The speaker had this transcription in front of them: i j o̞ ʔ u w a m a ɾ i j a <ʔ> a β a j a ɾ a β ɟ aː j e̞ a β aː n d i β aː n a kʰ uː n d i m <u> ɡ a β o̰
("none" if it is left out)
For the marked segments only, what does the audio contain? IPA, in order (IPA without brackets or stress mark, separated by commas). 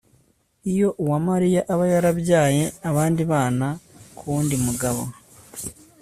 ʔ, u